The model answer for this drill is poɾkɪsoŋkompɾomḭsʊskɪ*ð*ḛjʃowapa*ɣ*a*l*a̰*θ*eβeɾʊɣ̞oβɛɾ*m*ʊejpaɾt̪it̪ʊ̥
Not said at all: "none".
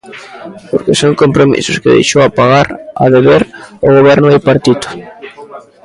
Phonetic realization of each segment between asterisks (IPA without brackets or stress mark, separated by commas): ð, ɣ, ɾ, ð, n